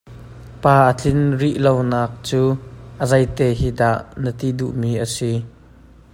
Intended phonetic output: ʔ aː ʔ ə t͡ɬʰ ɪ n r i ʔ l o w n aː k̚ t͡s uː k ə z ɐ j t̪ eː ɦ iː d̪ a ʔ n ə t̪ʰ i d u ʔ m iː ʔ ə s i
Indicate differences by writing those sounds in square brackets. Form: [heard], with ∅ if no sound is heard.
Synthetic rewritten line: [p] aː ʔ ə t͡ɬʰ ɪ n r i ʔ l o w n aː k̚ t͡s uː [ʔ] ə z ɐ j t̪ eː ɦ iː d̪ a ʔ n ə [t̪] i d u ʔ m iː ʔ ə s i